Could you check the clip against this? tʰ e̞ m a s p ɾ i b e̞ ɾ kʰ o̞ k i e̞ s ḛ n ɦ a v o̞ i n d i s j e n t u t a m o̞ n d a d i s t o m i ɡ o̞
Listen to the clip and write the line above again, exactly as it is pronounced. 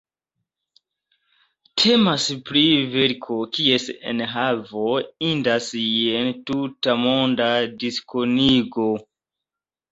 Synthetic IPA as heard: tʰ e̞ m a s p ɾ i v e̞ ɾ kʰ o̞ k i e̞ s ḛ n ɦ a v o̞ i n d a s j e n t u t a m o̞ n d a d i s k o n i ɡ o̞